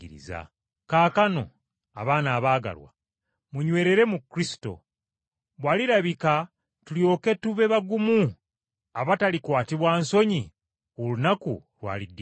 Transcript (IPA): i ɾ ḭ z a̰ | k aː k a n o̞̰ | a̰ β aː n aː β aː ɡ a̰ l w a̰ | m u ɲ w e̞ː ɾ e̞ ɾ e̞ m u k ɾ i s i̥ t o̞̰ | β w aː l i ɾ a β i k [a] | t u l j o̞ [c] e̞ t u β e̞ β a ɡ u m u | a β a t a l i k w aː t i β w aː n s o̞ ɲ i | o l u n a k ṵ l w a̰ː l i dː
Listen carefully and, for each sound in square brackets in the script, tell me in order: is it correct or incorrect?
correct, incorrect

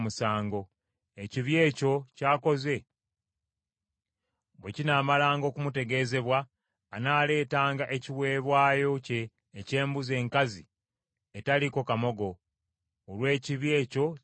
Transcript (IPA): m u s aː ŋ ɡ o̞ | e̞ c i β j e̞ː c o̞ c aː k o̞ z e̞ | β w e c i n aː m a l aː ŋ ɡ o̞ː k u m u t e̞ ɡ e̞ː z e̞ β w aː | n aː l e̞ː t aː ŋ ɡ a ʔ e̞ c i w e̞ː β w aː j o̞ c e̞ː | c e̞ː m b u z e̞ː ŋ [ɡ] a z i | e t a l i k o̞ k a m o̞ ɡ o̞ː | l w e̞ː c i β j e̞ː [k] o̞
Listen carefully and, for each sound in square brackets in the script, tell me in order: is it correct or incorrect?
incorrect, incorrect

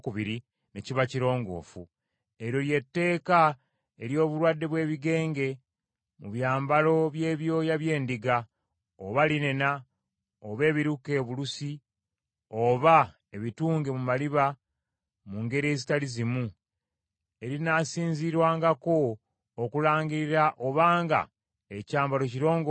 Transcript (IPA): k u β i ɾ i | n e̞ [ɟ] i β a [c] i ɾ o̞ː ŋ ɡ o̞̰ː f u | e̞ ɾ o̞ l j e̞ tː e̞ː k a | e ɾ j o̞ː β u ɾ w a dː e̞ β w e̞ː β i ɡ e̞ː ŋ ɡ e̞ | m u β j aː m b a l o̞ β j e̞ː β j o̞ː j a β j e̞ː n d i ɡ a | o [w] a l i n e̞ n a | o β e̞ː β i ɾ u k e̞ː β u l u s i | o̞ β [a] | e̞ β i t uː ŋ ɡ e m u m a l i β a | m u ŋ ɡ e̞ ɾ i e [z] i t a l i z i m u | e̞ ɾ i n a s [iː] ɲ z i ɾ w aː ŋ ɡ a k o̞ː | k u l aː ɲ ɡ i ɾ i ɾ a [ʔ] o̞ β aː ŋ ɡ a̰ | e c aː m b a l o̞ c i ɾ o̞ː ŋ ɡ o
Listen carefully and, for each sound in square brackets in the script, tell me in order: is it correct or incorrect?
incorrect, correct, incorrect, correct, correct, correct, correct

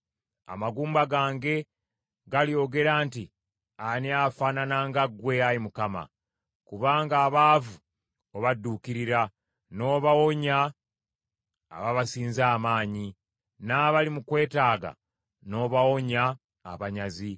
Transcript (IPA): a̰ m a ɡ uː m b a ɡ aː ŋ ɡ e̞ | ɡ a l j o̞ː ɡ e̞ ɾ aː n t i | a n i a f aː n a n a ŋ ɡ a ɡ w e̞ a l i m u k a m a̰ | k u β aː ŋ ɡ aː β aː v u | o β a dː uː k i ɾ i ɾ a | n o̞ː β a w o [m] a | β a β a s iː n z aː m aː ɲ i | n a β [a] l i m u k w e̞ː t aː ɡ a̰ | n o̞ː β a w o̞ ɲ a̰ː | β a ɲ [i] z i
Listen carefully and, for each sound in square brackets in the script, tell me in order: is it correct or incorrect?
incorrect, correct, incorrect

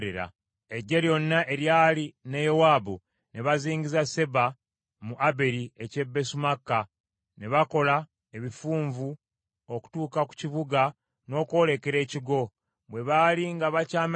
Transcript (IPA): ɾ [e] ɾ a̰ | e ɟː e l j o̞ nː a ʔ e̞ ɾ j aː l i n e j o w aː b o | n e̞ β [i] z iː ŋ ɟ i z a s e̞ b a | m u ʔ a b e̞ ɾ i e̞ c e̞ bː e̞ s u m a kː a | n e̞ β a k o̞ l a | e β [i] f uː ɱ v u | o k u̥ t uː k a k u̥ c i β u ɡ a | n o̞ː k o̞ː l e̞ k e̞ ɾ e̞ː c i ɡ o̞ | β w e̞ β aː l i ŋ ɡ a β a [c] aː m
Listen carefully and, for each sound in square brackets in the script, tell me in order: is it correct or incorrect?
correct, incorrect, correct, correct

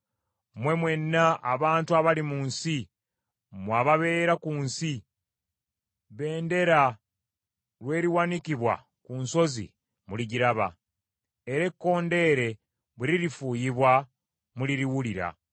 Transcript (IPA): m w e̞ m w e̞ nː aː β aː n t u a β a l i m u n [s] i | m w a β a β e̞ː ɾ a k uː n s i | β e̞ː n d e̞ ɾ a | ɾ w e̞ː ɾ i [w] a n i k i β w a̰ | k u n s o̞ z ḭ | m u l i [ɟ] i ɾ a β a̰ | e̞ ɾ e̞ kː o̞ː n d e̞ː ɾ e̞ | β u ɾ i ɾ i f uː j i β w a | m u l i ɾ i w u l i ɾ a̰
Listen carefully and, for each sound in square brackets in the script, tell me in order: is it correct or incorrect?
correct, correct, correct

